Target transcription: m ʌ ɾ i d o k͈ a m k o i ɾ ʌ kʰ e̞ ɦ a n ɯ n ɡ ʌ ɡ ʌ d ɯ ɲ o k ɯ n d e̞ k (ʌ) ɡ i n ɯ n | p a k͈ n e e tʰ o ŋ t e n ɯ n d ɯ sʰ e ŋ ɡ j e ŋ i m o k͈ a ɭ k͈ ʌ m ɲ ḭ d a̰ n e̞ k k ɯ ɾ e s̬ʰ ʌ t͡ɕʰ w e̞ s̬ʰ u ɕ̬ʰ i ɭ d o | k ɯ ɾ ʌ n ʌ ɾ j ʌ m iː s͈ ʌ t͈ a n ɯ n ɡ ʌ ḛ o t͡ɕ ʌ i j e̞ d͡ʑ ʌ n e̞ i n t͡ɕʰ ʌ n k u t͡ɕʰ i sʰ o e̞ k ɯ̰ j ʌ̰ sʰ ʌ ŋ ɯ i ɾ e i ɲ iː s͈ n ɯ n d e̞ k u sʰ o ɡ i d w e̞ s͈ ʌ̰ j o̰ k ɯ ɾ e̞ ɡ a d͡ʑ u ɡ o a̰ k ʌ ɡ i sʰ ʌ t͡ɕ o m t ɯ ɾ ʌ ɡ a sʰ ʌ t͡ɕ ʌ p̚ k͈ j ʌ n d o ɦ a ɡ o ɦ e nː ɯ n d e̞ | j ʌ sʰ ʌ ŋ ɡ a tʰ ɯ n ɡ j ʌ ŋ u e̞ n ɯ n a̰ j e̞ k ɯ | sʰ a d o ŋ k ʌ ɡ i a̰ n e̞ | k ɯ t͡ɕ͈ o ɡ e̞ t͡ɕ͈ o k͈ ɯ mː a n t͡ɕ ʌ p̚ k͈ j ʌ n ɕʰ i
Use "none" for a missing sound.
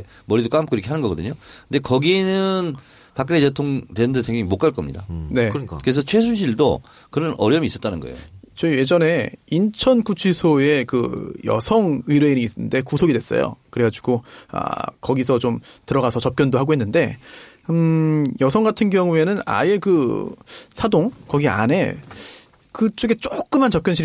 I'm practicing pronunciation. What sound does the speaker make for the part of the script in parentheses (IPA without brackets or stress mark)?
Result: ʌ